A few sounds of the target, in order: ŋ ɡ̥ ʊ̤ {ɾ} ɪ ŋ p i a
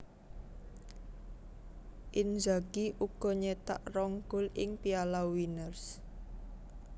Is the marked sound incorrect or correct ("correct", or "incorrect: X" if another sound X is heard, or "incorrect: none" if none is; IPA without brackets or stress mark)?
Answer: incorrect: l